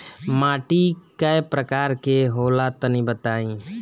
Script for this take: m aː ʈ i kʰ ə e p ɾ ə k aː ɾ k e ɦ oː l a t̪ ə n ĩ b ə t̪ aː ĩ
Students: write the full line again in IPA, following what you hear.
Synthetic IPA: m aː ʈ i k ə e p ɾ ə k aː ɾ k e ɦ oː l a t̪ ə n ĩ b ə t̪ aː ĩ